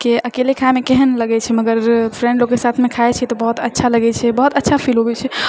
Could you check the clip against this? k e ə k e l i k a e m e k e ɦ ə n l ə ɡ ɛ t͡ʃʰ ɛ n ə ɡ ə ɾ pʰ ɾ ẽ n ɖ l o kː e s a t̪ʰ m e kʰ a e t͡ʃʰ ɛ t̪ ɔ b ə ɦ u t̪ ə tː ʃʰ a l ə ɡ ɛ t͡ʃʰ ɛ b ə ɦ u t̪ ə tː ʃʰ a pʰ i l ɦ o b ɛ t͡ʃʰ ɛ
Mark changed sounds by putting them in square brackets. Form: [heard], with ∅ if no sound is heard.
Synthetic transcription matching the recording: k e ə k e l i [kʰ] a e m e k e ɦ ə n l ə ɡ ɛ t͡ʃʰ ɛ [m] ə ɡ ə ɾ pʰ ɾ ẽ [ɳ] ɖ l o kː e s a t̪ʰ m e kʰ a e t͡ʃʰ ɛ t̪ ɔ b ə ɦ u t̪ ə tː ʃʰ a l ə ɡ ɛ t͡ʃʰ ɛ b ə ɦ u t̪ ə tː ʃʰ a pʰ i l ɦ o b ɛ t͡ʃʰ ɛ